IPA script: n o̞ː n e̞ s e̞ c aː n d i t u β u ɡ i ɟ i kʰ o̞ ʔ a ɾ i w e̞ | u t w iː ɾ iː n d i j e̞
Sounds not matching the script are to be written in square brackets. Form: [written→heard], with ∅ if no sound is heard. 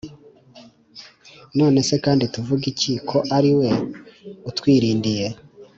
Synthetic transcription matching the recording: n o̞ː n e̞ s e̞ [c→k] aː n d i t u [β→v] u ɡ i [ɟ→c] i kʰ o̞ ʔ a ɾ i w e̞ | u t w iː ɾ iː n d i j e̞